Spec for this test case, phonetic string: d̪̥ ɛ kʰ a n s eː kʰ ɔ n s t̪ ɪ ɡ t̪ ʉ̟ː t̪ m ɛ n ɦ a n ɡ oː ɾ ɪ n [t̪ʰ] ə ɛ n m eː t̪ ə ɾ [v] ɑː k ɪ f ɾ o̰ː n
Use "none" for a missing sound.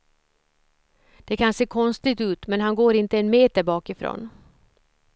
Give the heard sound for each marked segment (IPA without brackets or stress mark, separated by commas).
t̪, b